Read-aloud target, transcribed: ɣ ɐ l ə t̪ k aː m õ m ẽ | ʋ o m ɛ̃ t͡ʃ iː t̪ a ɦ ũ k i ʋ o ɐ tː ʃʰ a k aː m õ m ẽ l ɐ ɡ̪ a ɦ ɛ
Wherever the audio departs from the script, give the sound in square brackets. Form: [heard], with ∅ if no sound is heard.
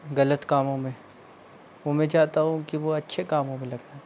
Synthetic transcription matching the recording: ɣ ɐ l ə t̪ k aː m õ m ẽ | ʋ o m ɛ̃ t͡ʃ [aː] t̪ a ɦ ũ k i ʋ o ɐ tː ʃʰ [e] k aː m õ m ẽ l ɐ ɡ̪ a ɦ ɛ